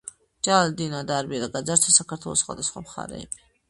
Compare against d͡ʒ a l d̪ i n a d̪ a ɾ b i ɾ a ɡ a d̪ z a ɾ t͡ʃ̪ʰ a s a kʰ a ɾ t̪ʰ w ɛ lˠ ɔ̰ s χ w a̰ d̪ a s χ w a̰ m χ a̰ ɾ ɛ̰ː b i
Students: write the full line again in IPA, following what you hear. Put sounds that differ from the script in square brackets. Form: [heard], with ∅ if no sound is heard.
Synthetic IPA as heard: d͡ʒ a l d̪ i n a d̪ a ɾ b i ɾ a ɡ a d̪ z a ɾ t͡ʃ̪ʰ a s a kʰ a ɾ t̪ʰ w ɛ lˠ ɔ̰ s χ w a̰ d̪ a s χ w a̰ m χ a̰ ɾ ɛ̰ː b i